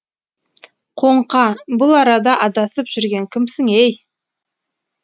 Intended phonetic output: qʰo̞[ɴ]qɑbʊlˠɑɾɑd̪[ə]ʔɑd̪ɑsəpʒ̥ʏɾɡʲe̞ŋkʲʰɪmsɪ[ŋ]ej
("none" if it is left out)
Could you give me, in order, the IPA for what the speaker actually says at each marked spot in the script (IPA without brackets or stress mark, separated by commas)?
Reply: ɴ, ɑ, ŋ